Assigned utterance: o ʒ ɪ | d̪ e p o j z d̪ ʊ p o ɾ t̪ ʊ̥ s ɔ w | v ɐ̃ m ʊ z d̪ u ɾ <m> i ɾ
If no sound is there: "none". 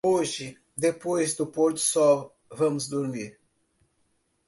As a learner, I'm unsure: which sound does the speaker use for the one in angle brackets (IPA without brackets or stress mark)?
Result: m